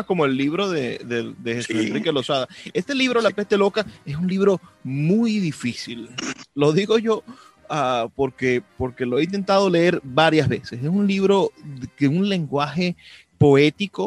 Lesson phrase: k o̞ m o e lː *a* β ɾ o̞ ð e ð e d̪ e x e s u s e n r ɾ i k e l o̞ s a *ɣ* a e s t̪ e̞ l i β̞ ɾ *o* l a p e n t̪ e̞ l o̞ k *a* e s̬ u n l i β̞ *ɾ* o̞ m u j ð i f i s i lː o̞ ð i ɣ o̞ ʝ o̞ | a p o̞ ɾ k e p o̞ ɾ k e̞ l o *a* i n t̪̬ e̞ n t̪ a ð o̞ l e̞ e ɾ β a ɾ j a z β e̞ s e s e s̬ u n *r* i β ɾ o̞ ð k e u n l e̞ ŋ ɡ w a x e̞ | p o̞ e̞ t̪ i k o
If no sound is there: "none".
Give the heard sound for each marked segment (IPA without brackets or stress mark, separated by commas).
i, ð, o, a, ɾ, e, l